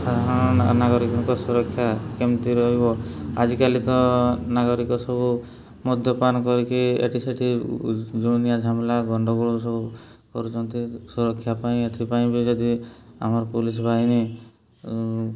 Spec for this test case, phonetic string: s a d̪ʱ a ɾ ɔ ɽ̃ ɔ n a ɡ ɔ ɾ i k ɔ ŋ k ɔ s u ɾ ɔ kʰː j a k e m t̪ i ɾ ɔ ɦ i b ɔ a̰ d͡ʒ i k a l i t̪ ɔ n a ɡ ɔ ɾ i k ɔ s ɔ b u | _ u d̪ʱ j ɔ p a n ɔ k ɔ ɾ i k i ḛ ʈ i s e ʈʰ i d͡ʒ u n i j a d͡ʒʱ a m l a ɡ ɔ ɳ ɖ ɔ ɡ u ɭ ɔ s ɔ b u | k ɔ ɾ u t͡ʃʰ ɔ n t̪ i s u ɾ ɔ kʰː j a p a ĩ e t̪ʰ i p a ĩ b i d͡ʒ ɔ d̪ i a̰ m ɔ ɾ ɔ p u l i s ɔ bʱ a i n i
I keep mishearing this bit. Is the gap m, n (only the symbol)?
m